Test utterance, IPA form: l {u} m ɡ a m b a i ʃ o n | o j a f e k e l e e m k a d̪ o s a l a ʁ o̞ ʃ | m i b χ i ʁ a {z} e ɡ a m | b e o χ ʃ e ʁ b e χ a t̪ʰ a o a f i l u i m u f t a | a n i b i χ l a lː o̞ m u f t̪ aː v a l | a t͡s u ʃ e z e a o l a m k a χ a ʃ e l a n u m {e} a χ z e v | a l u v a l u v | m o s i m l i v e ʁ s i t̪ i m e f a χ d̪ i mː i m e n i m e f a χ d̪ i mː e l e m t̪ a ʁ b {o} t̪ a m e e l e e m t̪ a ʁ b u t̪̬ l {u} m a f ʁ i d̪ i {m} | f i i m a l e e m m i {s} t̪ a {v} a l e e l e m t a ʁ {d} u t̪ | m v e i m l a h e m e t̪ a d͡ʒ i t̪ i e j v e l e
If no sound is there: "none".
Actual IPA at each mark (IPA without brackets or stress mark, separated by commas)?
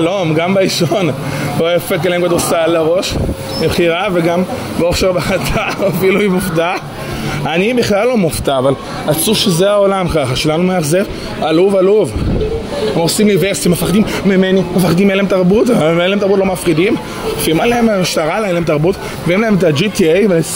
o, v, e, u, o, m, ʃ, ʁ, b